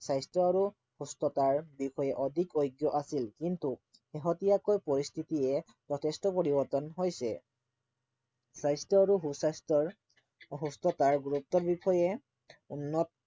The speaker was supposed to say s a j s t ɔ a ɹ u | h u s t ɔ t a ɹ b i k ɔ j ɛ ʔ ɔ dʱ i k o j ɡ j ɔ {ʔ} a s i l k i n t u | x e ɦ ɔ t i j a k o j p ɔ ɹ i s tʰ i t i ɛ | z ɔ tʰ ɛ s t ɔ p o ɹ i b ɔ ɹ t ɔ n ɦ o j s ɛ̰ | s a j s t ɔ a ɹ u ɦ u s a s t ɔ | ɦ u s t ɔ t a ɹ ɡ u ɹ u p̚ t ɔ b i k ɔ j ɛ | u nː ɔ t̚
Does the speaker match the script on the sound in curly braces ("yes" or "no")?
yes